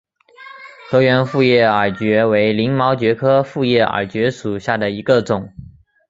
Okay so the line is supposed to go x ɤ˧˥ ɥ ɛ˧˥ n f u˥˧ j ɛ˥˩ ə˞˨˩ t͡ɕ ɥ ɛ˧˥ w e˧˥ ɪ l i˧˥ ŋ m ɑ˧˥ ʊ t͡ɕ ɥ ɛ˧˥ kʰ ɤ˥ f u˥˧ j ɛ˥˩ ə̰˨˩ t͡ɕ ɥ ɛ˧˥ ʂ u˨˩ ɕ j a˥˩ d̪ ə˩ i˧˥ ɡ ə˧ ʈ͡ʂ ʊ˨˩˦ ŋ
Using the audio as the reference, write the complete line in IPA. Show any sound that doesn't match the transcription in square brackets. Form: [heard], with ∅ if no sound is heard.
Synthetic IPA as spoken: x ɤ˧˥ ɥ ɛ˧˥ n f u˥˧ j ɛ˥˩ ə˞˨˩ t͡ɕ ɥ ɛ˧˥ w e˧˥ ɪ l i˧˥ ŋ m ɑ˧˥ ʊ t͡ɕ ɥ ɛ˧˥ kʰ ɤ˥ f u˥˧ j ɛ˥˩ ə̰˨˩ t͡ɕ ɥ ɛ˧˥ ʂ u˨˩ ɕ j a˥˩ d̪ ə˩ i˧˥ ɡ ə˧ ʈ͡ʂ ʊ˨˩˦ ŋ